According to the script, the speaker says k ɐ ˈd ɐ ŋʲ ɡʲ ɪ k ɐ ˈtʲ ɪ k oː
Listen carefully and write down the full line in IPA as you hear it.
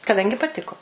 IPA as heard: k ɐ ˈd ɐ ŋʲ ɡʲ ɪ p ɐ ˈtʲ ɪ k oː